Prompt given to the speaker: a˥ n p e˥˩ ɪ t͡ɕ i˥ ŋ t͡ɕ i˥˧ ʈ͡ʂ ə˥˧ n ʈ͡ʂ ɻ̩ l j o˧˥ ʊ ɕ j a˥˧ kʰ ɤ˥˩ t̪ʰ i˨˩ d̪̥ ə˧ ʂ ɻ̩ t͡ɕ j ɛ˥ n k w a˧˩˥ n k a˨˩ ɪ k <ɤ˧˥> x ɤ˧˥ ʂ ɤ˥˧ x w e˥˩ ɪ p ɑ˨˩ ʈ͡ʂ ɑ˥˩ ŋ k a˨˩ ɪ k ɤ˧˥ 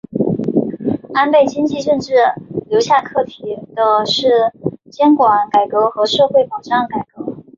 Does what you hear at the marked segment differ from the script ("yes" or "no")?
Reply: no